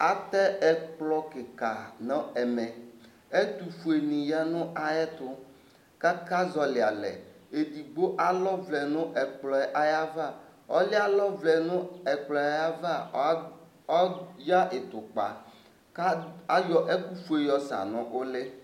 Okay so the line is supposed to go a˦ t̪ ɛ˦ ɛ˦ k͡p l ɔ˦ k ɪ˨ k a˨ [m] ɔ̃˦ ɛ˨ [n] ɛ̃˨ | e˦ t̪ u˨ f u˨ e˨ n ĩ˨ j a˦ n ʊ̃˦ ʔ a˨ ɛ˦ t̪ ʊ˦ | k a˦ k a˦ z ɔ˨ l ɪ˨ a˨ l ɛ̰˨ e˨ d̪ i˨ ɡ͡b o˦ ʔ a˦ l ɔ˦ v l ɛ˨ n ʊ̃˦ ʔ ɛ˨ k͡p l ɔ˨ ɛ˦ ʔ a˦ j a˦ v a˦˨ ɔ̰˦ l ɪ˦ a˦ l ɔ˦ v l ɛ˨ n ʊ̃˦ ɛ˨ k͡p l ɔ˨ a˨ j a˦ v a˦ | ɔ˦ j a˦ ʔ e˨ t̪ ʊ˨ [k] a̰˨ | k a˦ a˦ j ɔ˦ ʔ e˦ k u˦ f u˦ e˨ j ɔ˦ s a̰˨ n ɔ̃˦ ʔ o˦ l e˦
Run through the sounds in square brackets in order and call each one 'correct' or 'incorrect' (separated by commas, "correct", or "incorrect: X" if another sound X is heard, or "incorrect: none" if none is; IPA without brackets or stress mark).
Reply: incorrect: n, incorrect: m, incorrect: k͡p